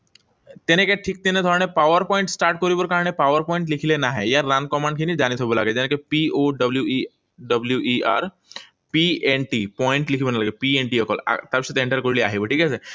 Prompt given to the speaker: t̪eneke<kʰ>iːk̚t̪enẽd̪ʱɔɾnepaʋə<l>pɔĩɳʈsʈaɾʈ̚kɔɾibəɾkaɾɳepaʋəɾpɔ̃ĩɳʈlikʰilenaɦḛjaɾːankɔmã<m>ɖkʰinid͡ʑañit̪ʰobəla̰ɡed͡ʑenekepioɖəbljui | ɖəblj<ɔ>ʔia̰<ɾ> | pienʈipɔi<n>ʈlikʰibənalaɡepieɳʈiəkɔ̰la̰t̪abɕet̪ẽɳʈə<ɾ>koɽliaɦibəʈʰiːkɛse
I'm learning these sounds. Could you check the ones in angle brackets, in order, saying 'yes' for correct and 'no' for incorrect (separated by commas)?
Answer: no, no, no, no, yes, no, yes